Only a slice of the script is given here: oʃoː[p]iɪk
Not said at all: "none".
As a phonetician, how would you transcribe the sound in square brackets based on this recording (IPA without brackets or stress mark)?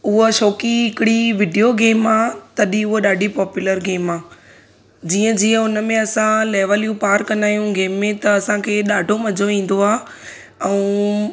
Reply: k